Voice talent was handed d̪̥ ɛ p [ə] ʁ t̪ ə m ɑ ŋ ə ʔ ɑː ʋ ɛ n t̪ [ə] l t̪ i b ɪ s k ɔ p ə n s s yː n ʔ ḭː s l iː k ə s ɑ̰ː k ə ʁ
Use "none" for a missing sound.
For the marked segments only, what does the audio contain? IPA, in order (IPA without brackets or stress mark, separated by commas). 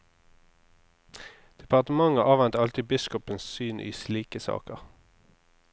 ɑ, ɑ